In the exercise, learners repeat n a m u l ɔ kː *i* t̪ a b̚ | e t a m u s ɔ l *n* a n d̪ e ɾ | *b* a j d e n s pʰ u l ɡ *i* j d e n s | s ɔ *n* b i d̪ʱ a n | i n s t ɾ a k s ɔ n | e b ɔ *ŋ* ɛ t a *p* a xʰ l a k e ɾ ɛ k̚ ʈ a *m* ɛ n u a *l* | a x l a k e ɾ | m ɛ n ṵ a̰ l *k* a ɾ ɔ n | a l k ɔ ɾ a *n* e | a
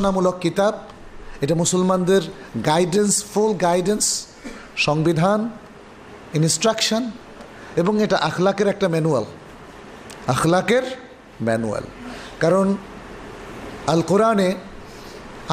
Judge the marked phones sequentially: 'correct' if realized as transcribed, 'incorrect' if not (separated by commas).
correct, incorrect, incorrect, incorrect, incorrect, correct, incorrect, correct, correct, correct, correct